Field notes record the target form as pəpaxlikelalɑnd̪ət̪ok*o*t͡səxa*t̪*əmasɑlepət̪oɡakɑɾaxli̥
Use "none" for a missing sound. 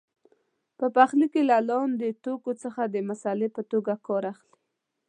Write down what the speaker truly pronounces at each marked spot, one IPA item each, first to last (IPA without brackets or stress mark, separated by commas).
o, d̪